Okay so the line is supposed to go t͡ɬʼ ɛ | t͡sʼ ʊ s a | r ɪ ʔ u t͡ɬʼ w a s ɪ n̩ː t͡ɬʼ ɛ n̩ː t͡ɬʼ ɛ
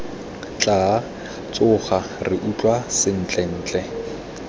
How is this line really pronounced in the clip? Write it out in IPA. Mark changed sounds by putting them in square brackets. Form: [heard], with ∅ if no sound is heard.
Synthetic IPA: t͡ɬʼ [a] | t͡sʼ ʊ [χ] a | r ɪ ʔ u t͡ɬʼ w a s ɪ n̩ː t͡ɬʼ ɛ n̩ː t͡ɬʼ ɛ